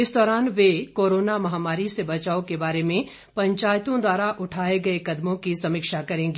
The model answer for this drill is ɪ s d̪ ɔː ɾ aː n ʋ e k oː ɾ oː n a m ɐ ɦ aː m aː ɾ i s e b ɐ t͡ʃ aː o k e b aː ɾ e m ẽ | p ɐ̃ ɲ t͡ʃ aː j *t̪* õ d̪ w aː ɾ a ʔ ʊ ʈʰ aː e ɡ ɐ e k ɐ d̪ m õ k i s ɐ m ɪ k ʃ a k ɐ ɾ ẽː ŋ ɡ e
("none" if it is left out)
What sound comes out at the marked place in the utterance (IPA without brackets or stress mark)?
t̪